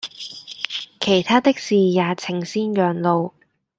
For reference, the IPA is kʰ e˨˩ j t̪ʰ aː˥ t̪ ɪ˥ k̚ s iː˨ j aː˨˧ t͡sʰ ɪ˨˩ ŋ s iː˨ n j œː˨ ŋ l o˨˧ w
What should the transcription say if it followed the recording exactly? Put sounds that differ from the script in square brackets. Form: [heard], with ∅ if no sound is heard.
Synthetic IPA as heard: kʰ e˨˩ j t̪ʰ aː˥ t̪ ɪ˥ k̚ s iː˨ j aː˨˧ t͡sʰ ɪ˨˩ ŋ s [iː˥] n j œː˨ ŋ l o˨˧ w